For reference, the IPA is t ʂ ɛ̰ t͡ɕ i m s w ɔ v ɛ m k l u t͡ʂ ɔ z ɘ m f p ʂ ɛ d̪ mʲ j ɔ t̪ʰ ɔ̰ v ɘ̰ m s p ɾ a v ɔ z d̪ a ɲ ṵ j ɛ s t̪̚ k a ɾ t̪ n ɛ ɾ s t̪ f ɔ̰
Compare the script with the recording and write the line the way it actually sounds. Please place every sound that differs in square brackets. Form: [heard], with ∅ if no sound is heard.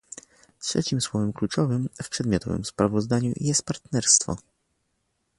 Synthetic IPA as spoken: t ʂ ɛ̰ t͡ɕ i m s w ɔ v ɛ m k l u t͡ʂ ɔ [v] ɘ m f p ʂ ɛ d̪ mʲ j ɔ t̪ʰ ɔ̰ v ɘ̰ m s p ɾ a v ɔ z d̪ a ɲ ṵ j ɛ s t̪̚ [p] a ɾ t̪ n ɛ ɾ s t̪ f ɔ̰

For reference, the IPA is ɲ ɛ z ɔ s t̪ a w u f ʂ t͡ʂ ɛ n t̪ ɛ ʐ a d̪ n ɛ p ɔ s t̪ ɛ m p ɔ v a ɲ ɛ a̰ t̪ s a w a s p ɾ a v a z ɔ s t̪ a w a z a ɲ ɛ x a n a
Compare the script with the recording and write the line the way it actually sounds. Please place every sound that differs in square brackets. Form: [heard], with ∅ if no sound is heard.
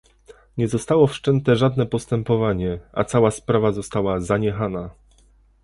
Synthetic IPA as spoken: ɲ ɛ z ɔ s t̪ a w [ɔ] f ʂ t͡ʂ ɛ n t̪ ɛ ʐ a d̪ n ɛ p ɔ s t̪ ɛ m p ɔ v a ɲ ɛ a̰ t̪ s a w a s p ɾ a v a z ɔ s t̪ a w a z a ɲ ɛ x a n a

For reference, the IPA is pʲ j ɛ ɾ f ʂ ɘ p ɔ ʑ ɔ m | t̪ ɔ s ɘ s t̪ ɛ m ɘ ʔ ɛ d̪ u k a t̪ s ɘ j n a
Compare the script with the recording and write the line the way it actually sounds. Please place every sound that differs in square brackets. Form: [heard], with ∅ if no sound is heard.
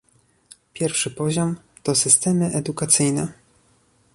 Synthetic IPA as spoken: pʲ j ɛ ɾ f ʂ ɘ p ɔ ʑ ɔ m | t̪ ɔ s ɘ s t̪ ɛ m ɘ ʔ ɛ d̪ u k a t̪ s ɘ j n [ɛ]

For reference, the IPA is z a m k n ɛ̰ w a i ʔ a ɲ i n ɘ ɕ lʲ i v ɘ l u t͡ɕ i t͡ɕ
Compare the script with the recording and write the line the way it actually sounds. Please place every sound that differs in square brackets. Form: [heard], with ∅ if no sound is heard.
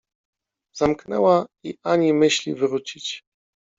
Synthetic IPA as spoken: z a m k n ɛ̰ w a i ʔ a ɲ i [m] ɘ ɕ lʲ i v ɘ [ɾ] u t͡ɕ i t͡ɕ

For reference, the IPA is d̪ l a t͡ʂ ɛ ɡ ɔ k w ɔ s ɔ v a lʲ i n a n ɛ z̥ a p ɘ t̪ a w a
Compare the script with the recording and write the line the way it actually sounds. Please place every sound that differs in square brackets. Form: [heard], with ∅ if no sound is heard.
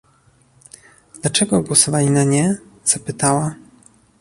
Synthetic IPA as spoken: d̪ l a t͡ʂ ɛ ɡ ɔ [ɡ] w ɔ s ɔ v a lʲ i n a [ɲ] ɛ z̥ a p ɘ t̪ a w a

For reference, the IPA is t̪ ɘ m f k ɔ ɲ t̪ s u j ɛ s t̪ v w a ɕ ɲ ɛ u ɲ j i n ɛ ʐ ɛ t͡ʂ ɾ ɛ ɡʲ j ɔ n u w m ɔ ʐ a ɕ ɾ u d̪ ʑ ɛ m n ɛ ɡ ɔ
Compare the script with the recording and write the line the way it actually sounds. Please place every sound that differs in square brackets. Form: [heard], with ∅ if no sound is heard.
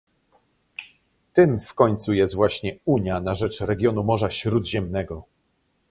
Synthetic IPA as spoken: t̪ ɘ m f k ɔ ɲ t̪ s u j ɛ s t̪ v w a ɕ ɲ ɛ u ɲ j [a] n [a] ʐ ɛ t͡ʂ ɾ ɛ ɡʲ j ɔ n u [∅] m ɔ ʐ a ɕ ɾ u d̪ ʑ ɛ m n ɛ ɡ ɔ

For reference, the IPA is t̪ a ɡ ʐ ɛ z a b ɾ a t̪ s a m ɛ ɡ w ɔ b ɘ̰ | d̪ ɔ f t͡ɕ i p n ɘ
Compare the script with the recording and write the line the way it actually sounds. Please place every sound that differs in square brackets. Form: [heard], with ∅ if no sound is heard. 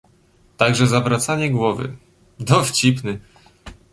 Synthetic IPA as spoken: t̪ a ɡ ʐ ɛ z a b ɾ a t̪ s a [ɲ] ɛ ɡ w ɔ [v] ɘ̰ | d̪ ɔ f t͡ɕ i p n ɘ

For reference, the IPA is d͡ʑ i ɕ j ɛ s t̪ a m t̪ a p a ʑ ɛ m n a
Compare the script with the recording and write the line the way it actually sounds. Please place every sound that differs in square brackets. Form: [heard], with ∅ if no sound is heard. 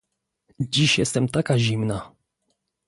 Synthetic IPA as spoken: d͡ʑ i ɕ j ɛ s t̪ [ɛ] m t̪ a [k] a ʑ [i] m n a

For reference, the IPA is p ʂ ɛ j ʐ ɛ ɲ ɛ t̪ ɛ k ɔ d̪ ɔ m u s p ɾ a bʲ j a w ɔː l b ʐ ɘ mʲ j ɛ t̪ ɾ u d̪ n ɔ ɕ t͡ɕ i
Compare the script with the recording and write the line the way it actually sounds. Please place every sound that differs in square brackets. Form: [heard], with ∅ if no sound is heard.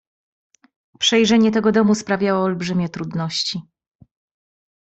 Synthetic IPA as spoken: p ʂ ɛ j ʐ ɛ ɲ ɛ t̪ ɛ [ɡ] ɔ d̪ ɔ m u s p ɾ a [vʲ] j a w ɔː l b ʐ ɘ mʲ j ɛ t̪ ɾ u d̪ n ɔ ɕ t͡ɕ i

